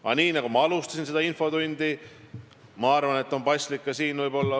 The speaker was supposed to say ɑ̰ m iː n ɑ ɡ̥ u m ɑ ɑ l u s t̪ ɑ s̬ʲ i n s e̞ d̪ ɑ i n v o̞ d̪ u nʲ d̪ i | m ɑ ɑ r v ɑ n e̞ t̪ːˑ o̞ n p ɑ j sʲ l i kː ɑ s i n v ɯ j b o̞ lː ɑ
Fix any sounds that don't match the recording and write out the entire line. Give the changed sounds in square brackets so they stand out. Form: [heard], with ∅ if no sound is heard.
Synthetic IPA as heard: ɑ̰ [n] iː n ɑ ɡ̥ u m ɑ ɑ l u s t̪ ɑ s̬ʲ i n s e̞ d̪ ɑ i n [f] o̞ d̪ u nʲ d̪ i | m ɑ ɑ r v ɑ n e̞ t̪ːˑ o̞ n p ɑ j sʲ l i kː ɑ s [iː] n v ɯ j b o̞ lː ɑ